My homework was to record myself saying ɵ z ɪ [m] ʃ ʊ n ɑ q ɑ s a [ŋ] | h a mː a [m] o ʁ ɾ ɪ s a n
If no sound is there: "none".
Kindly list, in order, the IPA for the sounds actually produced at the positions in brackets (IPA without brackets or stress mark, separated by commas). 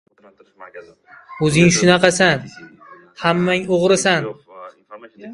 ŋ, n, ŋ